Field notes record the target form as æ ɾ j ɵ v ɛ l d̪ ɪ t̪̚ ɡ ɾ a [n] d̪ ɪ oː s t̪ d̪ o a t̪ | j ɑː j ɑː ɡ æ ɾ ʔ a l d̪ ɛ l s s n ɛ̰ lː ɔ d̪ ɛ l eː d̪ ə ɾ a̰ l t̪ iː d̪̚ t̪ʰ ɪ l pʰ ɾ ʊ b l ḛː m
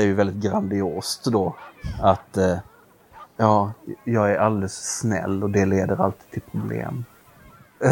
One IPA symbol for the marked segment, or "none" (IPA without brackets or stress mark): n